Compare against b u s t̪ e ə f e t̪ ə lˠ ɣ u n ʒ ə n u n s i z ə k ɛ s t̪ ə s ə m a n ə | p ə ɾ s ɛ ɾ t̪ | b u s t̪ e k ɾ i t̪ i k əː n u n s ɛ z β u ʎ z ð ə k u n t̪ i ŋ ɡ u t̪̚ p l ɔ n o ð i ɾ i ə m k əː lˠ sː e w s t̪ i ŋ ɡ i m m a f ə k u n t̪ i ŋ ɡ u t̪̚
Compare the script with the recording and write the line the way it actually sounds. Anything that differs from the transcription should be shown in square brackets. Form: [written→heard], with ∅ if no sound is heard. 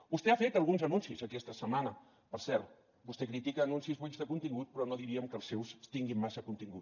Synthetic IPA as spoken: b u s t̪ e [ə→a] f e t̪ ə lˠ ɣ u n [ʒ→z] ə n u n s i z ə k ɛ s t̪ ə s ə m a n ə | p ə ɾ s ɛ ɾ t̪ | b u s t̪ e k ɾ i t̪ i k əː n u n s [ɛ→i] z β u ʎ z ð ə k u n t̪ i ŋ ɡ u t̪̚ p [l→ɾ] ɔ n o ð i ɾ i ə m k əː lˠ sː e w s t̪ i ŋ ɡ i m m a [f→s] ə k u n t̪ i ŋ ɡ u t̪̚